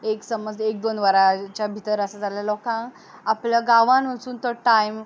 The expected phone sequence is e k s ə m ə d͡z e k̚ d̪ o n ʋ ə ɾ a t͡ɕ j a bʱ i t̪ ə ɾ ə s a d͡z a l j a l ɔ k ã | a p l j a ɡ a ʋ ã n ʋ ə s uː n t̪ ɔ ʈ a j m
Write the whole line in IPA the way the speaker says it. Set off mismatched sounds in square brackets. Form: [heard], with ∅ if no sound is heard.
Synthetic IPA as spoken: e k s ə m ə d͡z e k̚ d̪ o n ʋ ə ɾ a t͡ɕ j a bʱ i t̪ ə ɾ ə s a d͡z a l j a l ɔ k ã | a p l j a ɡ a ʋ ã n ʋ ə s uː n t̪ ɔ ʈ a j m